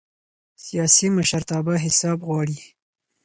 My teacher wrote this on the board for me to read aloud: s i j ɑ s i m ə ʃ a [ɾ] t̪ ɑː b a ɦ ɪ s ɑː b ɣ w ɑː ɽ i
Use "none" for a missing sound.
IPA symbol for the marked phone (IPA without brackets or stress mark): ɾ